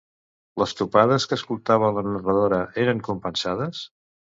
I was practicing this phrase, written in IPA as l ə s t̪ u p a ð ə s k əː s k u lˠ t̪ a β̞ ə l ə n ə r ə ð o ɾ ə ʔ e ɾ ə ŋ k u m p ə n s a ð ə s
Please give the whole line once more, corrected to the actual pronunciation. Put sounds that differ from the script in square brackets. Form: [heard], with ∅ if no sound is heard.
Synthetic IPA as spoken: l ə s t̪ u p a ð ə s k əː s k u lˠ t̪ a β̞ ə l ə n ə r ə ð o ɾ ə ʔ e ɾ ə ŋ k u m p ə n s a ð ə s